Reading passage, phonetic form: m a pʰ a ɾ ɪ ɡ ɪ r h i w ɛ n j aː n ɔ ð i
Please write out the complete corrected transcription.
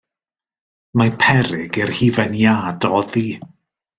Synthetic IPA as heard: m a pʰ ɛ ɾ ɪ ɡ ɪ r h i v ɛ n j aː d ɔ ð i